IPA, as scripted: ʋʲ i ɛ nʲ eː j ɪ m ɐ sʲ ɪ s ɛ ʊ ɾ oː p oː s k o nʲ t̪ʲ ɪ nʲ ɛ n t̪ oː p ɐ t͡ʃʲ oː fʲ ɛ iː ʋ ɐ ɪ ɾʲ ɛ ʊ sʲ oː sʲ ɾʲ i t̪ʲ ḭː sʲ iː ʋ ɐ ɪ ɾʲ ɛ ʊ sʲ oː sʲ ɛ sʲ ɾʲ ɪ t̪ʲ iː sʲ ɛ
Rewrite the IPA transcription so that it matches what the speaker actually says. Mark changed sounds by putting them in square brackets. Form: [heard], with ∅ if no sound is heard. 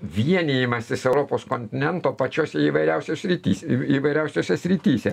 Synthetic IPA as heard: ʋʲ i ɛ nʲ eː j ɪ m ɐ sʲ ɪ s ɛ ʊ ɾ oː p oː s k o nʲ t̪ʲ ɪ nʲ ɛ n t̪ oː p ɐ t͡ʃʲ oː [sʲ] ɛ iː ʋ ɐ ɪ ɾʲ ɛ ʊ sʲ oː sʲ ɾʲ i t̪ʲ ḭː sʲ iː ʋ ɐ ɪ ɾʲ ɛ ʊ sʲ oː sʲ ɛ sʲ ɾʲ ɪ t̪ʲ iː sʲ ɛ